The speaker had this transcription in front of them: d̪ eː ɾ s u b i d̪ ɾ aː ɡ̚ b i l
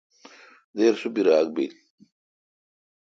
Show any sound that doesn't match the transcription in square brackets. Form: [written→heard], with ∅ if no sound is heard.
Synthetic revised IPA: d̪ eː ɾ s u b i [d̪→∅] ɾ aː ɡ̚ b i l